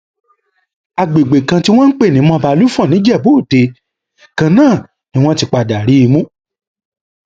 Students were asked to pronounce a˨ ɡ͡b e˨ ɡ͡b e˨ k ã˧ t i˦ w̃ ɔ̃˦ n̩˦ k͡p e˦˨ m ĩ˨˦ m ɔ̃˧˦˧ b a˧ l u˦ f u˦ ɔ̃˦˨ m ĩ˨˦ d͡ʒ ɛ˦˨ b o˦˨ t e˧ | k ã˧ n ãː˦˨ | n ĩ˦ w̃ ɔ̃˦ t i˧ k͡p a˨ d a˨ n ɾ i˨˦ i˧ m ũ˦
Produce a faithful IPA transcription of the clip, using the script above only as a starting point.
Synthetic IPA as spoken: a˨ ɡ͡b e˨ ɡ͡b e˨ k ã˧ t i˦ w̃ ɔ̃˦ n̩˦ k͡p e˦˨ n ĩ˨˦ m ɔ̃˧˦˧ b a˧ l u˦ f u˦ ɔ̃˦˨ n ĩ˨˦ d͡ʒ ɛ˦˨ b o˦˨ t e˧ | k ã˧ n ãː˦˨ | n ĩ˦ w̃ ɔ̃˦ t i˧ k͡p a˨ d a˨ ɾ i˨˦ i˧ m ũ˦

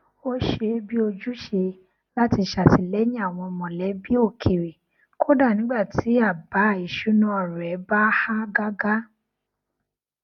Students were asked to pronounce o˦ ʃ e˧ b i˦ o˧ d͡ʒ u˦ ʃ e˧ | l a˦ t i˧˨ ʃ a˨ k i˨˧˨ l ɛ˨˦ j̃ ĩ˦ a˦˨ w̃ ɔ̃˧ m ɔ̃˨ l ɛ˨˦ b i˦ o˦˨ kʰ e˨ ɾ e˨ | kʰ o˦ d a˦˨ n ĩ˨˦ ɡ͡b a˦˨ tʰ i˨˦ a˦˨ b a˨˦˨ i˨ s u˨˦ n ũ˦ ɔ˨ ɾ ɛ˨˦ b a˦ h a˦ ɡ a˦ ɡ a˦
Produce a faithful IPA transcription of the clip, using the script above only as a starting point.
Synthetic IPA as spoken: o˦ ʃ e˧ b i˦ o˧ d͡ʒ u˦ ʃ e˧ | l a˦ t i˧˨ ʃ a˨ t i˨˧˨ l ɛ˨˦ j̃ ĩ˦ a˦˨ w̃ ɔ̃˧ m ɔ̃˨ l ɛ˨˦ b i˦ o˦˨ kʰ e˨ ɾ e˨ | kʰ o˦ d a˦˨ n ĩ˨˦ ɡ͡b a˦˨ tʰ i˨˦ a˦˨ b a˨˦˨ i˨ ʃ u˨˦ n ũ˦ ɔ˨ ɾ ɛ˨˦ b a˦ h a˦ ɡ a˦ ɡ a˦

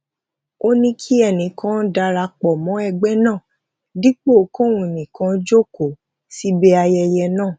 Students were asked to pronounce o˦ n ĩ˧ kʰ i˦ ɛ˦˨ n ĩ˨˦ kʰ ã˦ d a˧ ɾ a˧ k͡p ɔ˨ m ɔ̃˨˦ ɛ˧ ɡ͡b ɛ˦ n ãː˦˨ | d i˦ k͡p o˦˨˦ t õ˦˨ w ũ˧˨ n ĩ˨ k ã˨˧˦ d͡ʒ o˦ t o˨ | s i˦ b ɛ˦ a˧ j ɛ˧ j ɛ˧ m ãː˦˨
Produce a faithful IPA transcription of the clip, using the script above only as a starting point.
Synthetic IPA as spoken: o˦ n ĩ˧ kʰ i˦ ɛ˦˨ n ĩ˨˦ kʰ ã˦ d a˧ ɾ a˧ k͡p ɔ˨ m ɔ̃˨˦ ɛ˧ ɡ͡b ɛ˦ n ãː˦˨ | d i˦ k͡p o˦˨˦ k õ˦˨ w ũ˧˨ n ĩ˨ k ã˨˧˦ d͡ʒ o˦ k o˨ | s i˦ b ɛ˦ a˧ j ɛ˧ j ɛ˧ n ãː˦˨

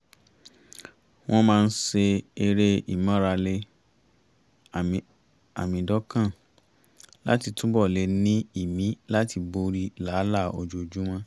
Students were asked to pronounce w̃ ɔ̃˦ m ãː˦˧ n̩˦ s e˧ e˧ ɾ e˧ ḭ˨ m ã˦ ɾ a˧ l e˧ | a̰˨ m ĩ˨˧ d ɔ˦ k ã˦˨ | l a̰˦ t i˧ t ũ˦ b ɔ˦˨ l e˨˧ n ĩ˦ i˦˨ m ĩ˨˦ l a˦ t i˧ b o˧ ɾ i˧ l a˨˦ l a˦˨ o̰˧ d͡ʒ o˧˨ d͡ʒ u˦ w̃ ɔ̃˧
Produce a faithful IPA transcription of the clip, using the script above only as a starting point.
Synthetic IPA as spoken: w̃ ɔ̃˦ m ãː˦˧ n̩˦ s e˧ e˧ ɾ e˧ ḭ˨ m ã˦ ɾ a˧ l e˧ | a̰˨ m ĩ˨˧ d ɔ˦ k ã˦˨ | l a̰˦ t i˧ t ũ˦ b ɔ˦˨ l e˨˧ n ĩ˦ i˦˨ m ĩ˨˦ l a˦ t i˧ b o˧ ɾ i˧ l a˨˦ l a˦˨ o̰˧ d͡ʒ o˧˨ d͡ʒ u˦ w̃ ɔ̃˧

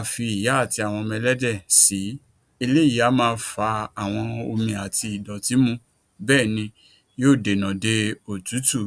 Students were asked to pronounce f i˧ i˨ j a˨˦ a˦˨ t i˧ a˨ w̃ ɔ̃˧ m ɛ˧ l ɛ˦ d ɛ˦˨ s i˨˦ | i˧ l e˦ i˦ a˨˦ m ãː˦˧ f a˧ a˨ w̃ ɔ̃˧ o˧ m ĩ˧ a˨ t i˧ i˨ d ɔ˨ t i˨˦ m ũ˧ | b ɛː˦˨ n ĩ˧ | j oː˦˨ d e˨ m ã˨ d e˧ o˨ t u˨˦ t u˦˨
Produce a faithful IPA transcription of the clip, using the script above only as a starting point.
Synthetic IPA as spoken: f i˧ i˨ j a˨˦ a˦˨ t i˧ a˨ w̃ ɔ̃˧ m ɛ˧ l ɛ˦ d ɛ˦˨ s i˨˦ | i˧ l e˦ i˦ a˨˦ m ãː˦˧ f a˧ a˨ w̃ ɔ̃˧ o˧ m ĩ˧ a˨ t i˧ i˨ d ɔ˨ t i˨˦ m ũ˧ | b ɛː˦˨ n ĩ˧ | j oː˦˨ d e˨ n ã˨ d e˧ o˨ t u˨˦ t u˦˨

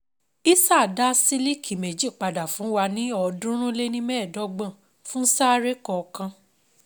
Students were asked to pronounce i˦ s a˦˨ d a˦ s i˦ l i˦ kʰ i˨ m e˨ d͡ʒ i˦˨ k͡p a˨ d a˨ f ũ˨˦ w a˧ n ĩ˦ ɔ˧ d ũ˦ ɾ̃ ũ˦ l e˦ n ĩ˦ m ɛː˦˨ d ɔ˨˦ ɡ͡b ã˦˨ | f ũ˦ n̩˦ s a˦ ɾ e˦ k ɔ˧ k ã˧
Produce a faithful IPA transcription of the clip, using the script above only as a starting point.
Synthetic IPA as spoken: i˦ s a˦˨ d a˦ s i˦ l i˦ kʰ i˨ m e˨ d͡ʒ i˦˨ k͡p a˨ d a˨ f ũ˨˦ w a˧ n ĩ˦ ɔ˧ d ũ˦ ɾ̃ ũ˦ l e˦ n ĩ˦ m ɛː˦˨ d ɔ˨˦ ɡ͡b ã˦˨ | f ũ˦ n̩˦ s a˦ ɾ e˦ k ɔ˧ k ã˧

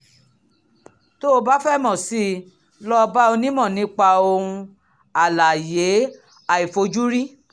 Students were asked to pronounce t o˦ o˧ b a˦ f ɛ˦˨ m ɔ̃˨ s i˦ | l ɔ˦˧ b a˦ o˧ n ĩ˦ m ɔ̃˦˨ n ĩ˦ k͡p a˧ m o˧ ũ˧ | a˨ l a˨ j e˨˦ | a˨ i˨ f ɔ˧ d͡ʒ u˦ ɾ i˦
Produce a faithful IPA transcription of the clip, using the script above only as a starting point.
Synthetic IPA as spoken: t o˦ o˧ b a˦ f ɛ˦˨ m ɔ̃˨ s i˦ | l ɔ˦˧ b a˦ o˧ n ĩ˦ m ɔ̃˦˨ n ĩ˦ k͡p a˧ o˧ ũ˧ | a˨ l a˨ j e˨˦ | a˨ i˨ f o˧ d͡ʒ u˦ ɾ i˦

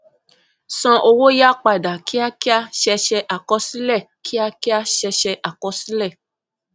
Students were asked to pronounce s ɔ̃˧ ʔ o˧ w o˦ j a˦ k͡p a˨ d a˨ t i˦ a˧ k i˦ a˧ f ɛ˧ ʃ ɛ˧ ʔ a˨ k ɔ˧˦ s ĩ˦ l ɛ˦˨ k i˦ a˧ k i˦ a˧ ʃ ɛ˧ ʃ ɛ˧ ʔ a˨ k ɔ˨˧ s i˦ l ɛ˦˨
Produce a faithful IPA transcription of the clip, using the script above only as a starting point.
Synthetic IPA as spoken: s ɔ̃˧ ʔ o˧ w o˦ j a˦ k͡p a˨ d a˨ k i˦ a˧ k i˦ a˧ ʃ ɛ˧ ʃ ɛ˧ ʔ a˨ k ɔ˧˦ s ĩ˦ l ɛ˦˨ k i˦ a˧ k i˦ a˧ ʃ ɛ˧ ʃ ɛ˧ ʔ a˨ k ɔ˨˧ s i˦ l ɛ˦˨

